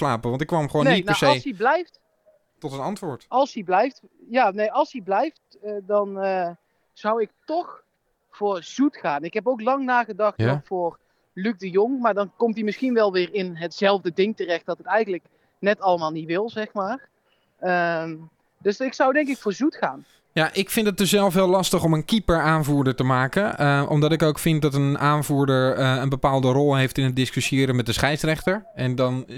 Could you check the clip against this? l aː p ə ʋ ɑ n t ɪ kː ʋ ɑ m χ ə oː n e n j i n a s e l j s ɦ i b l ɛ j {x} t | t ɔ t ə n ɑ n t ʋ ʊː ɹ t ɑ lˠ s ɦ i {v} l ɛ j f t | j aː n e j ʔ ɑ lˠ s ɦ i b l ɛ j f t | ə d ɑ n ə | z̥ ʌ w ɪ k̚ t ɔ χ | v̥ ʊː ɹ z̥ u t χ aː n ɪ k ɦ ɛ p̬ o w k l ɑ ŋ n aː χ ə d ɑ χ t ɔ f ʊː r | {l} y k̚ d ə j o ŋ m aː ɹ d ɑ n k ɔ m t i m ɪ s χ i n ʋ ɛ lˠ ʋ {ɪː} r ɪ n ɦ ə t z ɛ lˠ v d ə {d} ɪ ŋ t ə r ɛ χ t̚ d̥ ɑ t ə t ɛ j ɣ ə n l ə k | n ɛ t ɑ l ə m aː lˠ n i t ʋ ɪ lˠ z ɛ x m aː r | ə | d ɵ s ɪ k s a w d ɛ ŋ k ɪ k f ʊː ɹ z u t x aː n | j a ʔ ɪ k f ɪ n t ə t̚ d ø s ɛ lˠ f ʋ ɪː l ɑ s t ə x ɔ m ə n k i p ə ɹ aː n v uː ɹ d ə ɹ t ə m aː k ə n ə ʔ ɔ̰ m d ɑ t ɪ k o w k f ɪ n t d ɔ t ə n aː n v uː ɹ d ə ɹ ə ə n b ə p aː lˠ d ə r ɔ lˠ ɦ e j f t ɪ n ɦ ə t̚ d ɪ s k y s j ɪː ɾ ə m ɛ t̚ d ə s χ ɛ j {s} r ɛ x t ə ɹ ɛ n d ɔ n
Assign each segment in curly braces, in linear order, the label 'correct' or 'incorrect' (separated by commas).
incorrect, incorrect, correct, correct, correct, correct